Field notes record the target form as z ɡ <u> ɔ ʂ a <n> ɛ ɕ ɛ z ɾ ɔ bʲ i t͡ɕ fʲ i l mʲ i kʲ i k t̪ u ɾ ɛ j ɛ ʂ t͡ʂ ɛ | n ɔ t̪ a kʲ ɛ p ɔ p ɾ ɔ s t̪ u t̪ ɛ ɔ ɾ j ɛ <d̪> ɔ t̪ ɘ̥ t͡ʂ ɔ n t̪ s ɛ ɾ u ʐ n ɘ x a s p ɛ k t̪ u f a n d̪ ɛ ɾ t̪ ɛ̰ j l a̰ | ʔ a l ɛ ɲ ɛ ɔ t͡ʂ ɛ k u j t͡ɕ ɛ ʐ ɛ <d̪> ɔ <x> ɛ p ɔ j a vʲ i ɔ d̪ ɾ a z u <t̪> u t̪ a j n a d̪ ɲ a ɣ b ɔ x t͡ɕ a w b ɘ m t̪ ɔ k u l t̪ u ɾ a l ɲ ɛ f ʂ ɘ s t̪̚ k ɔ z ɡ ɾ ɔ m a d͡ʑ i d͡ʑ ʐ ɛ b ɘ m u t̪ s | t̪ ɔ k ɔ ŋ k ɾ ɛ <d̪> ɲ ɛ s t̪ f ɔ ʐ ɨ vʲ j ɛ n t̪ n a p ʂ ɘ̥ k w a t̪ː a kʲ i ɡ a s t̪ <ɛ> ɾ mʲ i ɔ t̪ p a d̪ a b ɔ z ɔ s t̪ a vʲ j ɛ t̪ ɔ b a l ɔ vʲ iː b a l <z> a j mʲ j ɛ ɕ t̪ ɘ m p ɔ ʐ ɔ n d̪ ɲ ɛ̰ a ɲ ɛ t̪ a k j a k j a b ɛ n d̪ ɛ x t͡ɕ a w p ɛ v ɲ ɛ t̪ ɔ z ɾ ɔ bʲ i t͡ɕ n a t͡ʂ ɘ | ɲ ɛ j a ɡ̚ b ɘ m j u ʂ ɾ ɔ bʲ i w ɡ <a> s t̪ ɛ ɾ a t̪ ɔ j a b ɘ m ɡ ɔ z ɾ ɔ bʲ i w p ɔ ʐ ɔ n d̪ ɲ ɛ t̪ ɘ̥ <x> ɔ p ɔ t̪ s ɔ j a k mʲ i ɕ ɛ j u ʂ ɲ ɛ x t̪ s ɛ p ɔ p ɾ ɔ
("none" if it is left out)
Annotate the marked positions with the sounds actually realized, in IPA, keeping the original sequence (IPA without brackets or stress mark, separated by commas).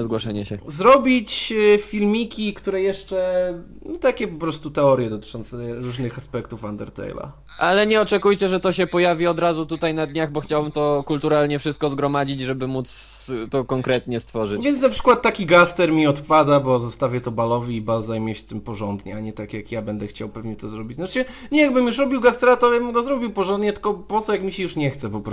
w, ɲ, d̪, t̪, ɕ, t̪, t̪, ɛ, z, a, k